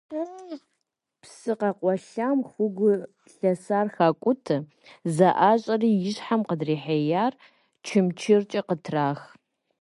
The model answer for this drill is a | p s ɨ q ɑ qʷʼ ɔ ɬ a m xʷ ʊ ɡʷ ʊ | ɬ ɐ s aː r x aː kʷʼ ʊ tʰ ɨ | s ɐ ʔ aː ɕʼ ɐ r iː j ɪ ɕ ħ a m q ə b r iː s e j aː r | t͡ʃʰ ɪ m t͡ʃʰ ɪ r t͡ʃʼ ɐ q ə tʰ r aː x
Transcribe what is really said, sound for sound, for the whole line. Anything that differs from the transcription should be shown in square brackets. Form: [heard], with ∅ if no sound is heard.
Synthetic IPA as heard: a | p s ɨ q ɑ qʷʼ ɔ ɬ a m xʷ ʊ ɡʷ ʊ | ɬ ɐ s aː r x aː kʷʼ ʊ tʰ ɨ | [z] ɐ ʔ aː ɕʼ ɐ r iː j ɪ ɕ ħ a m q ə [d] r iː [ħ] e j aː r | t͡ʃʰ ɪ m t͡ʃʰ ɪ r t͡ʃʼ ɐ q ə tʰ r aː x